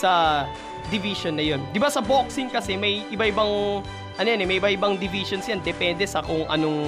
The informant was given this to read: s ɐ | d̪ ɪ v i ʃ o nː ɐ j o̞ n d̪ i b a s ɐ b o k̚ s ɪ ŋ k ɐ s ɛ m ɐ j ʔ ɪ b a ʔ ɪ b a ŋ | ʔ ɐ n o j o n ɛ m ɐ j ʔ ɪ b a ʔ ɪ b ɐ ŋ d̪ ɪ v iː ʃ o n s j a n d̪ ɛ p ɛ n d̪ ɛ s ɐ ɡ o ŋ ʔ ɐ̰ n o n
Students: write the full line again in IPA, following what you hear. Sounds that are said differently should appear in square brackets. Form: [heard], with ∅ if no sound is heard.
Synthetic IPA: s ɐ | d̪ ɪ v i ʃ o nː ɐ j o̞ n d̪ [ɪ] b a s ɐ b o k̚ s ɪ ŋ k ɐ s ɛ m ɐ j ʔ ɪ b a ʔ ɪ b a ŋ | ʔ ɐ n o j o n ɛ m ɐ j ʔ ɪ b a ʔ ɪ b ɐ ŋ d̪ ɪ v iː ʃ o n s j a n d̪ ɛ p ɛ n d̪ ɛ s ɐ [k] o ŋ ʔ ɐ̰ n o [ŋ]